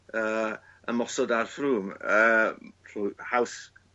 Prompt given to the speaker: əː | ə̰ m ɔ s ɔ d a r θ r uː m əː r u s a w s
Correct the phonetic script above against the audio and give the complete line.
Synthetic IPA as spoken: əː | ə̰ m ɔ s ɔ d a r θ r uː m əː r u h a w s